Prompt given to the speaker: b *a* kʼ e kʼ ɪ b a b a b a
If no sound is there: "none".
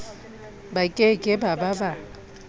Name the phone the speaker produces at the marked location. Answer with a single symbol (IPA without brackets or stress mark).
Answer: a